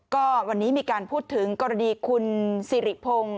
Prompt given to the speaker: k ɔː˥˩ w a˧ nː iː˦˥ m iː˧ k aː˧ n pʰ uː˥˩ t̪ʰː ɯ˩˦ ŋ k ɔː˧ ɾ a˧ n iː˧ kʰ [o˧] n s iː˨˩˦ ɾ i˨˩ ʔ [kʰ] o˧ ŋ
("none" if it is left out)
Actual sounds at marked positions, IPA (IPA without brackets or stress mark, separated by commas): u˧, pʰ